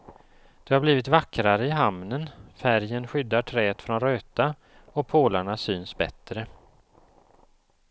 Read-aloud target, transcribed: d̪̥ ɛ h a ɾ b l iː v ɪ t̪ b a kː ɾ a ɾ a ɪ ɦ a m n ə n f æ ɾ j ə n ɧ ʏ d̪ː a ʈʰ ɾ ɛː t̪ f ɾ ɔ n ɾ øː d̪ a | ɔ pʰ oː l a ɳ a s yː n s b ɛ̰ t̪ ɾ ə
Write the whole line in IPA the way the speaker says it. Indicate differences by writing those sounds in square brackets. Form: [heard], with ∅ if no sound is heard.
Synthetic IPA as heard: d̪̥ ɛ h a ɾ b l iː v ɪ t̪ [v] a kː ɾ a ɾ [ə] ɪ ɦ a m n ə n f æ ɾ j ə n ɧ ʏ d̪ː a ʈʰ ɾ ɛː t̪ f ɾ ɔ n ɾ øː [t̪] a | ɔ pʰ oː l a ɳ a s yː n s b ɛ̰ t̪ ɾ ə